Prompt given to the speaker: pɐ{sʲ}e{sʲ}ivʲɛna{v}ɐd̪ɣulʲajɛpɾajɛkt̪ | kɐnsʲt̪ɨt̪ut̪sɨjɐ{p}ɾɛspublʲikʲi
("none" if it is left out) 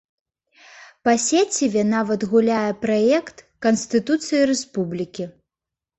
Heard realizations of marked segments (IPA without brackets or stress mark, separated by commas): sʲ, t͡sʲ, v, none